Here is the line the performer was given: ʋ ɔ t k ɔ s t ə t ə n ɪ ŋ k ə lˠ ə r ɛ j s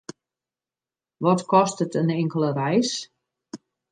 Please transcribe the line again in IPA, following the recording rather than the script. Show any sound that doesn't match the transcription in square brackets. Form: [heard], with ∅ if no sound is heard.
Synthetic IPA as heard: ʋ ɔ t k ɔ s t ə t ə n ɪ ŋ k ə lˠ ə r ɛ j s